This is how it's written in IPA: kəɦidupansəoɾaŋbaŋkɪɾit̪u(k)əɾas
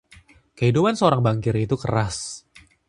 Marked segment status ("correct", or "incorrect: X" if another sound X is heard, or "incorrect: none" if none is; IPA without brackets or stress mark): correct